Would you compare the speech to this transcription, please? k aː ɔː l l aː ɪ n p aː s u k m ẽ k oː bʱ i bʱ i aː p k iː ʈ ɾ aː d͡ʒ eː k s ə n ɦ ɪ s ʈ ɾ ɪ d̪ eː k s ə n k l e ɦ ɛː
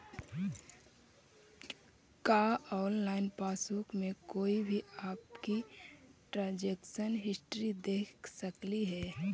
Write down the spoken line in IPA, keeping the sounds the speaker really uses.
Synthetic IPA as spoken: k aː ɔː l l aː ɪ n p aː s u k m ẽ k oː i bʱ i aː p k i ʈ ɾ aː d͡ʒ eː k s ə n ɦ ɪ s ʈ ɾ i d̪ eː k s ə k l i ɦ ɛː